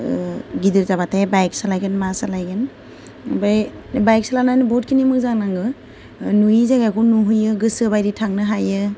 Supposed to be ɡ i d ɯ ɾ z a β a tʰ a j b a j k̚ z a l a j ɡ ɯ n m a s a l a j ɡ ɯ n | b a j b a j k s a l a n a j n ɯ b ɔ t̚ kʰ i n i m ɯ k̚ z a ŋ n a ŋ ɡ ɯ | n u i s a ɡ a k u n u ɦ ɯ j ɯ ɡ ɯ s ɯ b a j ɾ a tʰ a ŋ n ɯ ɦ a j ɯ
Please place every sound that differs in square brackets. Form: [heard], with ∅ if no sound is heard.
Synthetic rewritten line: ɡ i d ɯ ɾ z a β a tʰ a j b a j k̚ [s] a l a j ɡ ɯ n m a s a l a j ɡ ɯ n | b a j b a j k s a l a n a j n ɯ b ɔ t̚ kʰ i n i m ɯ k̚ z a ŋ n a ŋ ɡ ɯ | n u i [z] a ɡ a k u n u ɦ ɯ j ɯ ɡ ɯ s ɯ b a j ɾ [i] tʰ a ŋ n ɯ ɦ a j ɯ